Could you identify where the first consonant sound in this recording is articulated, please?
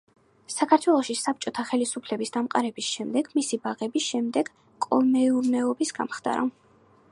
alveolar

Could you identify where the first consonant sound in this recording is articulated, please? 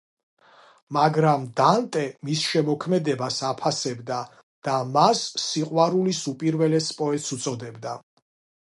labial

